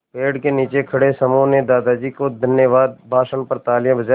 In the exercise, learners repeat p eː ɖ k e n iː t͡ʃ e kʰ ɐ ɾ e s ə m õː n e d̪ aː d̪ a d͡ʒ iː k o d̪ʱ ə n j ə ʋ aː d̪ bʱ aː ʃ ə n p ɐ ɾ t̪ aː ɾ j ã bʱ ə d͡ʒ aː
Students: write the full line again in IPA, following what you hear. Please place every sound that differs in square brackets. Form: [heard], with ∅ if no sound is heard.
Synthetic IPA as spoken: p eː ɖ k e n iː t͡ʃ e kʰ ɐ [ɽ] e s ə m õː n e d̪ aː d̪ a d͡ʒ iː k o d̪ʱ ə n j ə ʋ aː d̪ bʱ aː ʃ ə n p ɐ ɾ t̪ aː [l] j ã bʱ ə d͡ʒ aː